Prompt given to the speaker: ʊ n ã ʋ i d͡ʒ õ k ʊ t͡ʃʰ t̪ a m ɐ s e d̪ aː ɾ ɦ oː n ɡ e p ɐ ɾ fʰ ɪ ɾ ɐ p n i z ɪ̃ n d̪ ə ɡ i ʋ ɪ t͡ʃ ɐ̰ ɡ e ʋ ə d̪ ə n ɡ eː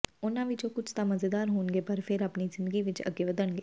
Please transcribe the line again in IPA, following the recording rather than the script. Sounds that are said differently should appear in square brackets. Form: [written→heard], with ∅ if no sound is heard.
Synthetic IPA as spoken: ʊ n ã ʋ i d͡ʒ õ k ʊ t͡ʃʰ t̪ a m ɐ [s→z] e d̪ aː ɾ ɦ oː n ɡ e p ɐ ɾ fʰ ɪ ɾ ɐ p n i z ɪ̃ n d̪ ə ɡ i ʋ ɪ t͡ʃ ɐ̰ ɡ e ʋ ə d̪ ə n ɡ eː